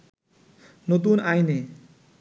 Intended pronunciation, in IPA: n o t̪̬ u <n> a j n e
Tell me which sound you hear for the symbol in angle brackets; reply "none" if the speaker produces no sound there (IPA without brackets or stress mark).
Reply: n